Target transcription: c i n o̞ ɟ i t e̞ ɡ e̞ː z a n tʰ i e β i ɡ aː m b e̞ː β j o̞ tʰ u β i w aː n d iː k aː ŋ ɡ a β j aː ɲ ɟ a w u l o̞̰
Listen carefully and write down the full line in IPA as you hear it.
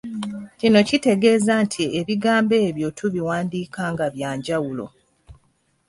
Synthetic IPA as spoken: c i n o̞ c i t e̞ ɡ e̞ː z a n tʰ i e β i ɡ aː m b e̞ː β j o̞ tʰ u β i w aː n d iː k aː ŋ ɡ a β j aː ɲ ɟ a w u l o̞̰